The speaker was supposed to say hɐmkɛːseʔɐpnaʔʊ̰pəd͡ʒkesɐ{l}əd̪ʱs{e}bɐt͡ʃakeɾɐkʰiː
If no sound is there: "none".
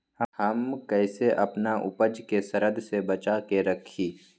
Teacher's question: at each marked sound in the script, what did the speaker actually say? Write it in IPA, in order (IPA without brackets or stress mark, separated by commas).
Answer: ɾ, e